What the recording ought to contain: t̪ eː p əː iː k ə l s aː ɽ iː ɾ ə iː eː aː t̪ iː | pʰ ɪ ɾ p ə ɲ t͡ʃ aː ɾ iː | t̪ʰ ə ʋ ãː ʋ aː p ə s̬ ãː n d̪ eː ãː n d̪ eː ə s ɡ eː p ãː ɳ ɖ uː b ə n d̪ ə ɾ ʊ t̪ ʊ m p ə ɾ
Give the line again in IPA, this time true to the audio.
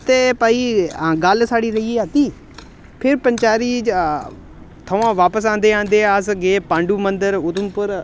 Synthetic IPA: t̪ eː p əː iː ɡ ə l s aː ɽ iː ɾ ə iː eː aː t̪ iː | pʰ ɪ ɾ p ə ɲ t͡ʃ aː ɾ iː | t̪ʰ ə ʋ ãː ʋ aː p ə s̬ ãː n d̪ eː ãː n d̪ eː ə s ɡ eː p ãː ɳ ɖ uː m ə n d̪ ə ɾ ʊ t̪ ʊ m p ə ɾ